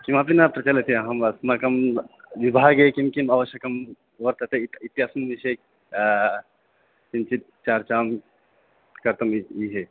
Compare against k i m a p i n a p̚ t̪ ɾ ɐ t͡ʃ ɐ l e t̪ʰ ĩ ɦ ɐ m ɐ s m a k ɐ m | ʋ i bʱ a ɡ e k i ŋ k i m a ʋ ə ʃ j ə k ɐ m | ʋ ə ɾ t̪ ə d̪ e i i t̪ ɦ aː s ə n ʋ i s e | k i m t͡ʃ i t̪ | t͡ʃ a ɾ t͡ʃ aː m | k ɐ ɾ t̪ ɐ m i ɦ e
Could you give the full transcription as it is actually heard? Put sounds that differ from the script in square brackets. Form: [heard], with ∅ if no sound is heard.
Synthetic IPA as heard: k i m a p i n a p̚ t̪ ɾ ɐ t͡ʃ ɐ l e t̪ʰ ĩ ɦ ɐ m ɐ s m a k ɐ m | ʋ i bʱ a ɡ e k i [m] k i m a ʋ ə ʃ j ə k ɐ m | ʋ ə ɾ t̪ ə [t̪] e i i t̪ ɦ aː s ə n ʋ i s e | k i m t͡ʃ i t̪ | t͡ʃ a ɾ t͡ʃ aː m | k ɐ ɾ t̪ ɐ m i ɦ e